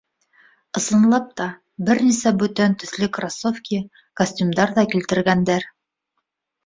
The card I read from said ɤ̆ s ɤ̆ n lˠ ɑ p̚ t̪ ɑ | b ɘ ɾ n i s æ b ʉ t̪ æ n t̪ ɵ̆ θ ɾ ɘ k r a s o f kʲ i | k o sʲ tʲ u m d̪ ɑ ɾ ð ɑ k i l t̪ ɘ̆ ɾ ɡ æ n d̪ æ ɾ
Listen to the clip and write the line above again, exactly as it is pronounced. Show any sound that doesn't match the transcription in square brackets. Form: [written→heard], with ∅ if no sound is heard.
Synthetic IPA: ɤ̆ s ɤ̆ n lˠ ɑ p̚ t̪ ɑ | b ɘ ɾ n i s æ b ʉ t̪ æ n t̪ ɵ̆ θ [ɾ→l] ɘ k r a s o f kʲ i | k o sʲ tʲ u m d̪ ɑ ɾ ð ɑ k i l t̪ ɘ̆ ɾ ɡ æ n d̪ æ ɾ